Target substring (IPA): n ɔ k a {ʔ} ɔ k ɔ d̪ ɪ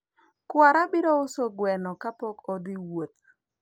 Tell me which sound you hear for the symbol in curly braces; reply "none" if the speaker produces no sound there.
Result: p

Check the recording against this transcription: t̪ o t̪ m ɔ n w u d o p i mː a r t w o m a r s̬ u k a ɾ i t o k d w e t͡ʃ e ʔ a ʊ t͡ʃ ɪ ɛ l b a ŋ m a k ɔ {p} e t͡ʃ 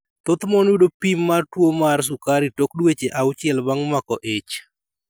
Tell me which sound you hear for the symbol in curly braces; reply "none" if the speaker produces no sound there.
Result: ʔ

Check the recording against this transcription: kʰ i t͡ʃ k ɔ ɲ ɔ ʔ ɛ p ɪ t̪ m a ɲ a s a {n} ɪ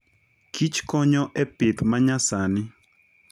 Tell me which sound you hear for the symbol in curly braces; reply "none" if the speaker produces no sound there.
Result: n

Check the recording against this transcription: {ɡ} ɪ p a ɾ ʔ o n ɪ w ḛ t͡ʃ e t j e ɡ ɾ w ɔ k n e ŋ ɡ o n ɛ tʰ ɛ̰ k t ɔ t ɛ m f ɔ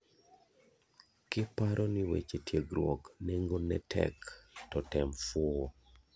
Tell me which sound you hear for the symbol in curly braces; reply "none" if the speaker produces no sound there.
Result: k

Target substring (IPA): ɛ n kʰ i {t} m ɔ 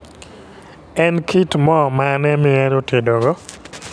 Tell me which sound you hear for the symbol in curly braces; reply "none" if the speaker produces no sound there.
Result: t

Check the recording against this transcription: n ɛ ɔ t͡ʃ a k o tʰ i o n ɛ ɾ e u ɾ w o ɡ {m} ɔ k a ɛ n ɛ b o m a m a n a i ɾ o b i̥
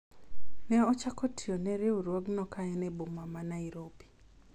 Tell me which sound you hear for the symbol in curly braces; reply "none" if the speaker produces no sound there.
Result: n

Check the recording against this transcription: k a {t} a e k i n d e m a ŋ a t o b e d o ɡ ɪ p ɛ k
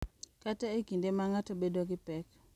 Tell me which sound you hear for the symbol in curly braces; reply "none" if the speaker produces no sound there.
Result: t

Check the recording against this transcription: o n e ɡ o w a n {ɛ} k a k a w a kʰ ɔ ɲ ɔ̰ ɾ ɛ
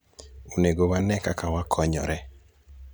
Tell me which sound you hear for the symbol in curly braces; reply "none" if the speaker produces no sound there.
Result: ɛ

